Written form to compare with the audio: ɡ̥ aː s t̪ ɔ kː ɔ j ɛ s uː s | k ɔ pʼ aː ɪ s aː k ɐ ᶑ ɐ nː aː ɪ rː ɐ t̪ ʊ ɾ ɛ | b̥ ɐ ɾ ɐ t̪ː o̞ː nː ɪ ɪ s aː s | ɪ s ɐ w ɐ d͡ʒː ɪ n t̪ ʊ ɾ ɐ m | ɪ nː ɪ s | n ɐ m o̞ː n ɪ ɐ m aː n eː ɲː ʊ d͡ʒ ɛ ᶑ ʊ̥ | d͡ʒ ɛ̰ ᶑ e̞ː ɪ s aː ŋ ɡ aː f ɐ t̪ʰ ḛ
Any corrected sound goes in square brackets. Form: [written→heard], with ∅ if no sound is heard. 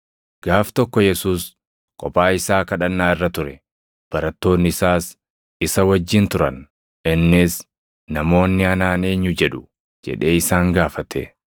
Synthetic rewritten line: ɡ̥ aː [s→f] t̪ ɔ kː ɔ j ɛ s uː s | [k→kʼ] ɔ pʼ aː ɪ s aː k ɐ ᶑ ɐ nː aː ɪ rː ɐ t̪ ʊ ɾ ɛ | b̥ ɐ ɾ ɐ t̪ː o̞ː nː ɪ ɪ s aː s | ɪ s ɐ w ɐ d͡ʒː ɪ n t̪ ʊ ɾ ɐ [m→n] | ɪ nː ɪ s | n ɐ m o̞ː [n→nː] ɪ ɐ [m→n] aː n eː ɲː ʊ d͡ʒ ɛ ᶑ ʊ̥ | d͡ʒ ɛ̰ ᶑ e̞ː ɪ s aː ŋ ɡ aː f ɐ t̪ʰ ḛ